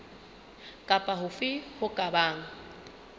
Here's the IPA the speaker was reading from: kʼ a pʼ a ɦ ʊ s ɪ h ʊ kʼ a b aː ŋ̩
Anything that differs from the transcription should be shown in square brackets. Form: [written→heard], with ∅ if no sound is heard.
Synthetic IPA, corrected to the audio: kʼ a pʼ a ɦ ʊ [s→f] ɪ h ʊ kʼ a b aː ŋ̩